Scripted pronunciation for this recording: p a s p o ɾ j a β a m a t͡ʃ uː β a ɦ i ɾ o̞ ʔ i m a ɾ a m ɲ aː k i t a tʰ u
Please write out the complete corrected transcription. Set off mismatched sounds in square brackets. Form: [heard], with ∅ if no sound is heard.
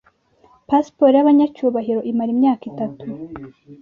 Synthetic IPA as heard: p a s p o ɾ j a β a [ɲ] a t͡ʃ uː β a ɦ i ɾ o̞ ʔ i m a ɾ [i] m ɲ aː k i t a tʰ u